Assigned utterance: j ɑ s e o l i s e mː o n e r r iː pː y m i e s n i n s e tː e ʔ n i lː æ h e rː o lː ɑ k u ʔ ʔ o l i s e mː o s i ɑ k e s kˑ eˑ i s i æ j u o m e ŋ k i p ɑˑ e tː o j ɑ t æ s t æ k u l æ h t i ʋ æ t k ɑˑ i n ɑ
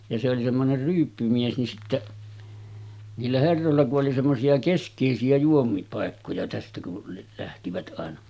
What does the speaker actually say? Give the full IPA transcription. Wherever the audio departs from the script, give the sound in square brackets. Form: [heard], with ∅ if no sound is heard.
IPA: j ɑ s e o l i s e mː o n e r r [yː] pː y m i e s n i n s [i] tː e ʔ n [iː] lː æ h e rː o lː ɑ k u ʔ ʔ o l i s e mː o s i ɑ k e s kˑ eˑ i s i æ j u o m [i] ŋ k i p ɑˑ e [kː] o j ɑ t æ s t æ k u l æ h t i ʋ æ t [ʔ] ɑˑ [e] n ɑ